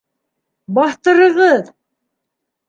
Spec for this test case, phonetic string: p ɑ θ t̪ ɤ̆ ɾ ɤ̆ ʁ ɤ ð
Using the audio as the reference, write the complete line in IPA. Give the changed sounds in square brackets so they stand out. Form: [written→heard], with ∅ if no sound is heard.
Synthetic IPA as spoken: [p→b] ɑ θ t̪ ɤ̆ ɾ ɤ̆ ʁ ɤ ð